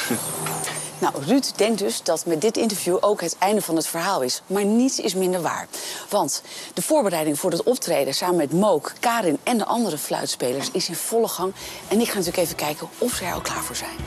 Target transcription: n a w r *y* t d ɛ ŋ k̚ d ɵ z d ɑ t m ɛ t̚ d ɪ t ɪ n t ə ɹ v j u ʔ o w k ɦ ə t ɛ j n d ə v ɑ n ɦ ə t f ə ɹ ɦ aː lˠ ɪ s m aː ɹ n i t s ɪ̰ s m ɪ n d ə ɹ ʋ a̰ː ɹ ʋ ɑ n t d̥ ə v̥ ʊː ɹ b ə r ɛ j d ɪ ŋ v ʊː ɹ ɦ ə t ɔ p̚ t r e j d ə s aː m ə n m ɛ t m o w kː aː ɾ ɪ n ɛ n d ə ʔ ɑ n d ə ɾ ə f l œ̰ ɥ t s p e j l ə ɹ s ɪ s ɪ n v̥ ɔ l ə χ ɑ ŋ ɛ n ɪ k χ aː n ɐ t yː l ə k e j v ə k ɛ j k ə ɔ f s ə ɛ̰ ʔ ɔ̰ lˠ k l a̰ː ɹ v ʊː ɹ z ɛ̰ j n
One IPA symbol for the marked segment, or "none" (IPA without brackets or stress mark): y